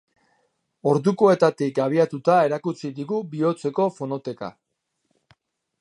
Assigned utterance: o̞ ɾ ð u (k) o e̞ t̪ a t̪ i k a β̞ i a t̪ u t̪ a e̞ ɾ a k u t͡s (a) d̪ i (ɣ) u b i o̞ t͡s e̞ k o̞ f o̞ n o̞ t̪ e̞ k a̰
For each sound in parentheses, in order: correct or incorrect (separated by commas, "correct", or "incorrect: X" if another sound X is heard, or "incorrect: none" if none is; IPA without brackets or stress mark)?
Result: correct, incorrect: i, correct